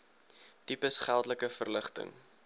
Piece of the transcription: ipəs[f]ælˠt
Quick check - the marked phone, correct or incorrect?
incorrect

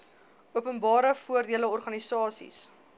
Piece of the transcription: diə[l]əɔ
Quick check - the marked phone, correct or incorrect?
correct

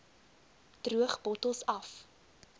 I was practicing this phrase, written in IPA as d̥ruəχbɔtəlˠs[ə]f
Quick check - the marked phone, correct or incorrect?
incorrect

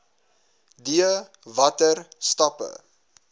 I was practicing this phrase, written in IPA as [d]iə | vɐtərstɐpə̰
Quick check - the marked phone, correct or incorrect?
correct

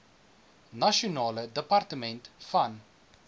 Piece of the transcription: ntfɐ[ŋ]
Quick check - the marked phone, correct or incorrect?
incorrect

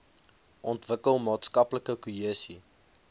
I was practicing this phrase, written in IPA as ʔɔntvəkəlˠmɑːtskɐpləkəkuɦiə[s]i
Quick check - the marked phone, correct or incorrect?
correct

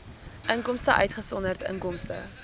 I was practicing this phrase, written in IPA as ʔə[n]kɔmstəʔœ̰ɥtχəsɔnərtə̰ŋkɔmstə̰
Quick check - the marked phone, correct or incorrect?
incorrect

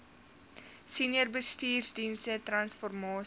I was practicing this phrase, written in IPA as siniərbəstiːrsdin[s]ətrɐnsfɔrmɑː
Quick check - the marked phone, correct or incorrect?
correct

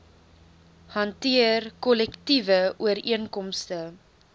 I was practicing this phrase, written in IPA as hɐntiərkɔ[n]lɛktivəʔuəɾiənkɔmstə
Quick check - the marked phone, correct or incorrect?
incorrect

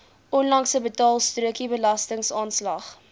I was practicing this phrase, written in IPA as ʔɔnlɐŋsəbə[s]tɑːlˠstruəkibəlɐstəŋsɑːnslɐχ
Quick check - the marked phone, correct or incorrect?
incorrect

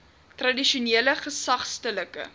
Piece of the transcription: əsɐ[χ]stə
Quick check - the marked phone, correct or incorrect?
correct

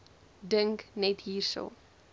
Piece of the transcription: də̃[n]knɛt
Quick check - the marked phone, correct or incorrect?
incorrect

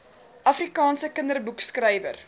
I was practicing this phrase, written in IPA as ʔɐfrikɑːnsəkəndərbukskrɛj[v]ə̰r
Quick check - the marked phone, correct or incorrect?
correct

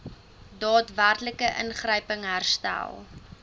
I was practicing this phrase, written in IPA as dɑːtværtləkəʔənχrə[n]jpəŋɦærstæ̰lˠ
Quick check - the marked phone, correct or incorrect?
incorrect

